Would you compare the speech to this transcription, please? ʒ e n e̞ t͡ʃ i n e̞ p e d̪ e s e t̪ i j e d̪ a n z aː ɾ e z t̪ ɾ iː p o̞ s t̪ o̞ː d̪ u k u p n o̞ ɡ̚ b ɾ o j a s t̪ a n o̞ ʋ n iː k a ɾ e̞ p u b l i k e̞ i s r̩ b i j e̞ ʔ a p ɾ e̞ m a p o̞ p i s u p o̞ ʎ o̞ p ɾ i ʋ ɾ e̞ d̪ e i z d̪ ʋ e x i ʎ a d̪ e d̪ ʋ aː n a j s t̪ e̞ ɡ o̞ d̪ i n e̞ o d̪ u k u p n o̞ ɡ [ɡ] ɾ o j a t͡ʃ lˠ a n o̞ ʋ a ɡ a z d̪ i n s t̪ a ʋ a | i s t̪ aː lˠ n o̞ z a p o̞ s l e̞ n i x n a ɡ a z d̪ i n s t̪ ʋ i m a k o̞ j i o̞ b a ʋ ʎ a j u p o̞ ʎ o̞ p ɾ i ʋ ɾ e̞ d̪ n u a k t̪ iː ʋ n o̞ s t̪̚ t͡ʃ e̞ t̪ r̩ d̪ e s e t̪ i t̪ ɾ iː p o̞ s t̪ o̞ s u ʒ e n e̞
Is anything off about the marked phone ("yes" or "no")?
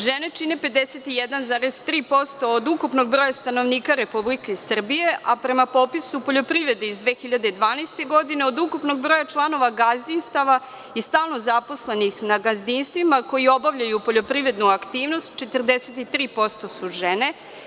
yes